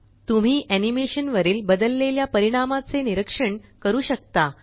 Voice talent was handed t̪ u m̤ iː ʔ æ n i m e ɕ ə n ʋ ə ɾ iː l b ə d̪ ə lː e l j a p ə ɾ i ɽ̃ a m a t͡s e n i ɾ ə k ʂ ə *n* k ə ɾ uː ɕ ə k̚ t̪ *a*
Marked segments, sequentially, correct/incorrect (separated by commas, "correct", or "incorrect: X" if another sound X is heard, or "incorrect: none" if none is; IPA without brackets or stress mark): incorrect: ɳ, correct